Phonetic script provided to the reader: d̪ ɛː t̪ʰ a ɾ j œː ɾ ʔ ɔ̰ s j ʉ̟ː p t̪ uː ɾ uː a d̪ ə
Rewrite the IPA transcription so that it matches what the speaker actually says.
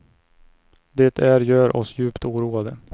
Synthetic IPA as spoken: d̪ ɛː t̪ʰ æ ɾ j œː ɾ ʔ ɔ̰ s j ʉ̟ː p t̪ uː ɾ uː a d̪ ə